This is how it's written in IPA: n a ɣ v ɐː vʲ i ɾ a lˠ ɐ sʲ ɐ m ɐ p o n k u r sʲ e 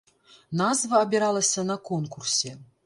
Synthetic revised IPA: n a z v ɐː bʲ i ɾ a lˠ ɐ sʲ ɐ n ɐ k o n k u r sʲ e

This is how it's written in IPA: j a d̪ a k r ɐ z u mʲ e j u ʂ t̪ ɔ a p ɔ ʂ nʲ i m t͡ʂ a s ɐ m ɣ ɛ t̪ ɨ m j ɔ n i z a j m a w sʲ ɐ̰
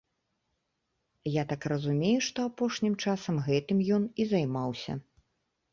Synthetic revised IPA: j a t̪ a k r ɐ z u mʲ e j u ʂ t̪ ɔ a p ɔ ʂ nʲ i m t͡ʂ a s ɐ m ɣ ɛ t̪ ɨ m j ɔ n i z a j m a w sʲ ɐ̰

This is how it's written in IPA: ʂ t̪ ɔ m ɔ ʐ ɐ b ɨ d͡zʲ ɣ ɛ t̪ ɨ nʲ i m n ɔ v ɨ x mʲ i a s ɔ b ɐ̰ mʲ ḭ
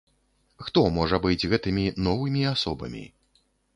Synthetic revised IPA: x t̪ ɔ m ɔ ʐ ɐ b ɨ d͡zʲ ɣ ɛ t̪ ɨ mʲ i n ɔ v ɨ mʲ i a s ɔ b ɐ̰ mʲ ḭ

